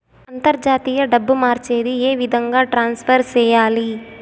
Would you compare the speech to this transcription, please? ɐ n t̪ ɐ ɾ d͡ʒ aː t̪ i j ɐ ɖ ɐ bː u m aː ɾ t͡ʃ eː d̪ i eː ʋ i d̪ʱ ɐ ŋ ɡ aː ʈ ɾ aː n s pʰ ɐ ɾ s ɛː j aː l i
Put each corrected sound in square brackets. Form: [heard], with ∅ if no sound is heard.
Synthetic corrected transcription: ɐ n t̪ ɐ ɾ d͡ʒ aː t̪ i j ɐ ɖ ɐ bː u m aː ɾ t͡ʃ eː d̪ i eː ʋ i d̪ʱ ɐ ŋ ɡ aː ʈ ɾ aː n s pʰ ɐ ɾ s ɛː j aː l i